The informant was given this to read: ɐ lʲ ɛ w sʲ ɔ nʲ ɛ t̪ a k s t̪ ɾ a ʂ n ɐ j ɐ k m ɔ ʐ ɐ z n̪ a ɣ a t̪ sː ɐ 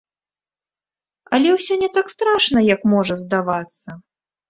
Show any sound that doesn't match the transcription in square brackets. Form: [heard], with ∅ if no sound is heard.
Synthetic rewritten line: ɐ lʲ ɛ w sʲ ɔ nʲ ɛ t̪ a k s t̪ ɾ a ʂ n ɐ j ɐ k m ɔ ʐ ɐ z [d̪] a [v] a t̪ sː ɐ